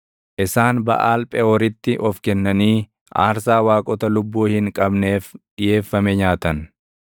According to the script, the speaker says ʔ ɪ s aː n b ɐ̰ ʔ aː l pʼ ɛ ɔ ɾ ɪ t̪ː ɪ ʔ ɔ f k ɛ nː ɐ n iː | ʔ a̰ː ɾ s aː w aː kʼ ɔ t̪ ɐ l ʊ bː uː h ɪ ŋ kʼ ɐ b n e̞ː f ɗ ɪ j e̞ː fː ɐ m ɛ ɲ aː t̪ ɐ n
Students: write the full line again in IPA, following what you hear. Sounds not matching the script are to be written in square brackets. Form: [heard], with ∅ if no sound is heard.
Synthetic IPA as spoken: ʔ ɪ s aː n b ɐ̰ ʔ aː l pʼ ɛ ɔ ɾ ɪ t̪ː ɪ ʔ ɔ f k ɛ nː ɐ n iː | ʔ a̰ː ɾ s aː w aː kʼ ɔ t̪ ɐ l ʊ bː uː h ɪ ŋ kʼ ɐ b n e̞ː f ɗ ɪ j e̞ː fː ɐ m ɛ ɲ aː t̪ ɐ n